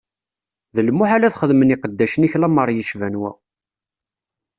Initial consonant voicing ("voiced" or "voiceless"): voiced